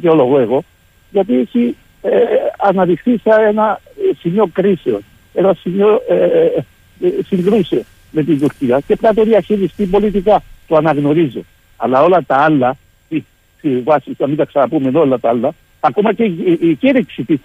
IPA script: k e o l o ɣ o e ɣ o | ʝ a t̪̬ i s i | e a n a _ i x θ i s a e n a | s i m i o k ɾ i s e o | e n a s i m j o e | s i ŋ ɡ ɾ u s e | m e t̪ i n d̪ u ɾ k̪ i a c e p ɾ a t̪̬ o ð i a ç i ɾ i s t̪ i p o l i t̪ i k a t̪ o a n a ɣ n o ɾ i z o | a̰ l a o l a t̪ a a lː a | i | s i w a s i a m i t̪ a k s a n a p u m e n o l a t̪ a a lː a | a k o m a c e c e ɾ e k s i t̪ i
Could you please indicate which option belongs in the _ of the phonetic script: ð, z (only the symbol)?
ð